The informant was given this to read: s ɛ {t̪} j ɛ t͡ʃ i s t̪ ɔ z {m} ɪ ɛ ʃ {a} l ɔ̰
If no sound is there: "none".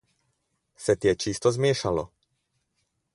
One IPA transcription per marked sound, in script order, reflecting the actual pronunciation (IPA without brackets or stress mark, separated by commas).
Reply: t̪, m, a